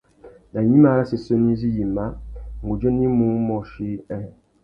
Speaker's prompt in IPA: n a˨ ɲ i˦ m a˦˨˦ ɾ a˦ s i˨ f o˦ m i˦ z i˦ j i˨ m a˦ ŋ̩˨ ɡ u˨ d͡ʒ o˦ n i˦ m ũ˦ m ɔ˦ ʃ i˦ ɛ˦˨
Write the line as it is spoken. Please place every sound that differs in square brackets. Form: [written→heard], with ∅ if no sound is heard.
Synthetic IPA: n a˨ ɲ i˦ m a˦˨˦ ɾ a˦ s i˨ [f→s] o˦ [m→n] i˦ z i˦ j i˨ m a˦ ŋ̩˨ ɡ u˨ d͡ʒ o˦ n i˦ m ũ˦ m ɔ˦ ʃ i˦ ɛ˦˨